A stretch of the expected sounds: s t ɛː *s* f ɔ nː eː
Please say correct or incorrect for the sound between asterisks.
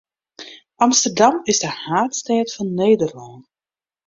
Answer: incorrect